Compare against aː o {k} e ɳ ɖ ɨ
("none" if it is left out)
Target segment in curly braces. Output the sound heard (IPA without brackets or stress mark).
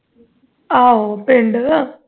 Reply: p